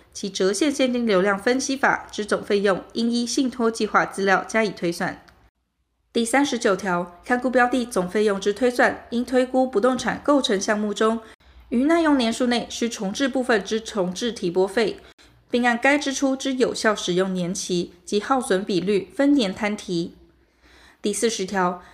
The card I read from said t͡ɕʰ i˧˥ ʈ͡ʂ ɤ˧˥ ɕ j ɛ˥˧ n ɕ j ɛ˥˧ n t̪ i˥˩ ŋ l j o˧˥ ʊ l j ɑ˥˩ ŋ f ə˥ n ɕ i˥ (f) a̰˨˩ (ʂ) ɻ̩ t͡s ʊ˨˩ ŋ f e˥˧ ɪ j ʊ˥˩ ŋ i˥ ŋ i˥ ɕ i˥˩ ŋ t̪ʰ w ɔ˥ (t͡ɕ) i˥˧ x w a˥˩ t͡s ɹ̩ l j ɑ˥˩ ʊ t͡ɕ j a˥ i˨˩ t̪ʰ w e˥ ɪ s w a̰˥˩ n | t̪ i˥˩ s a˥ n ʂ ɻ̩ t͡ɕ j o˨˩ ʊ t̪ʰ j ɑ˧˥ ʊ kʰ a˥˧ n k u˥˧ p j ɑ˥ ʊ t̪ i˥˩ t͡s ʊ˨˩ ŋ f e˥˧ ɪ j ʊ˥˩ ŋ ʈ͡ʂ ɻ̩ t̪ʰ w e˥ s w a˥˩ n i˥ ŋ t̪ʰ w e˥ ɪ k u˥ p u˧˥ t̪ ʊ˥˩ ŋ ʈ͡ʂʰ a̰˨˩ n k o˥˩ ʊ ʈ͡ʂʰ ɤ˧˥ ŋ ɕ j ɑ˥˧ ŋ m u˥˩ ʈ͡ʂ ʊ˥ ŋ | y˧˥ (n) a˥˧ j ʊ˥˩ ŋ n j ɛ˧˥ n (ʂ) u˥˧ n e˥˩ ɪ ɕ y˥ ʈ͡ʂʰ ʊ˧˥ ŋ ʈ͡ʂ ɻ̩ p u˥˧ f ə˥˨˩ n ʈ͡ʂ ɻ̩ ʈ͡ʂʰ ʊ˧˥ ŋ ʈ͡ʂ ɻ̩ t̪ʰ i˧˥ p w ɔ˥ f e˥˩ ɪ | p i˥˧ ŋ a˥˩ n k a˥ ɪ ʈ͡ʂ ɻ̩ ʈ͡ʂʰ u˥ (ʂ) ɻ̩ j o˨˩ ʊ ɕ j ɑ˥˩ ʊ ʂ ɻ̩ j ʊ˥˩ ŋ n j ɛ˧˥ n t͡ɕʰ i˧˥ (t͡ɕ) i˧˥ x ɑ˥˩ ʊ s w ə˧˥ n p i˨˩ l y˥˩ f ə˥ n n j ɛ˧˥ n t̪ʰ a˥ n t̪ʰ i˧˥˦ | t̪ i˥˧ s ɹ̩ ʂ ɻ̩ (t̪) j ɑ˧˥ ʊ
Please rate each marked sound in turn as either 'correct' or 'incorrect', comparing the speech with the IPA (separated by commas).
correct, incorrect, correct, correct, correct, incorrect, correct, incorrect